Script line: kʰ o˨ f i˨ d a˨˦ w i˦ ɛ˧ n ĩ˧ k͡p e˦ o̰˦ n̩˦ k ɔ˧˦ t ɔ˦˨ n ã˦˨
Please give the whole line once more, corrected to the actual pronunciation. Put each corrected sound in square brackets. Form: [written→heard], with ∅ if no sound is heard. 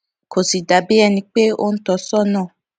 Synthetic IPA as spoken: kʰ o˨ [f→s] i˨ d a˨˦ [w→b] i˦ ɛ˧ n ĩ˧ k͡p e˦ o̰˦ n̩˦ [k→t] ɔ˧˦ [t→s] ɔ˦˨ n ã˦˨